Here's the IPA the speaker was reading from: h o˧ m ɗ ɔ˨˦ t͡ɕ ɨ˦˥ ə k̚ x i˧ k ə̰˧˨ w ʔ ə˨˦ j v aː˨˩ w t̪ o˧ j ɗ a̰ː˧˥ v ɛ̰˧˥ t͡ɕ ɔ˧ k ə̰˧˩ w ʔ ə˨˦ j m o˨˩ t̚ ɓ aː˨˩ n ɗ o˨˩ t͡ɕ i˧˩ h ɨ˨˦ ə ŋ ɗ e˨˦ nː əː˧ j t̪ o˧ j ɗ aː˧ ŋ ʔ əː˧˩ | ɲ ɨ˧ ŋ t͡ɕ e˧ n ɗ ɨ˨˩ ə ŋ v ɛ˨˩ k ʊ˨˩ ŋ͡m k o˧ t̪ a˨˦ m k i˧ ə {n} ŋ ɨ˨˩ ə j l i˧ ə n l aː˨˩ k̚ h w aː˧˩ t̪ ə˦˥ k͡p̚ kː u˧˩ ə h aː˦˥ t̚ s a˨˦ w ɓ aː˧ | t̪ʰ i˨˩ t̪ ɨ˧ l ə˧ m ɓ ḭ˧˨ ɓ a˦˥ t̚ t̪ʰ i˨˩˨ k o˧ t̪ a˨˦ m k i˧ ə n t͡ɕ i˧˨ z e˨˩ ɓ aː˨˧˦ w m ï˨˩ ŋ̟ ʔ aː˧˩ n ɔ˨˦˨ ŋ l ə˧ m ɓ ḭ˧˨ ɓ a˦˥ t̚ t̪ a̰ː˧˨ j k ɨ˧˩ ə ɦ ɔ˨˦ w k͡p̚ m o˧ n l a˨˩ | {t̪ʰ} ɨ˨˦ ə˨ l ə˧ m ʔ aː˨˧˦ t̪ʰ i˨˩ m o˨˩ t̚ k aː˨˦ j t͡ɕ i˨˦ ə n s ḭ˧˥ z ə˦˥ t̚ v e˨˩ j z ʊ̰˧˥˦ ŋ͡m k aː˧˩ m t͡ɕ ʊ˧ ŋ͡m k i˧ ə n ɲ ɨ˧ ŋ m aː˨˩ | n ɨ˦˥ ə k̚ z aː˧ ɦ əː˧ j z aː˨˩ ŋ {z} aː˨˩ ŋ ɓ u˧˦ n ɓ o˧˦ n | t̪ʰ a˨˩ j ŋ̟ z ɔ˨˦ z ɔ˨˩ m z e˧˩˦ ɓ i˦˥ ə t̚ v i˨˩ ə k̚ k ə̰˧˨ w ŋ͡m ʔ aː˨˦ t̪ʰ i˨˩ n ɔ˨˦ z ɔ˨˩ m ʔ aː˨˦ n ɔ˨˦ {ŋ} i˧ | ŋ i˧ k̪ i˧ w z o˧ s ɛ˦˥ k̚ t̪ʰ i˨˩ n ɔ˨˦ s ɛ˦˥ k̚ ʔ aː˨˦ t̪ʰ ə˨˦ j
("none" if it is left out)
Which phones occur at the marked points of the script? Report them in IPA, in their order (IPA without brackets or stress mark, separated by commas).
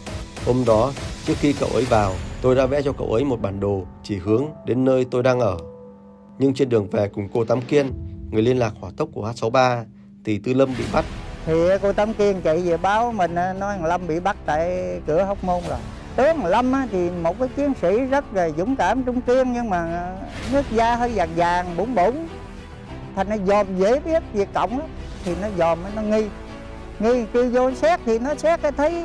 n, t̪, z, ŋ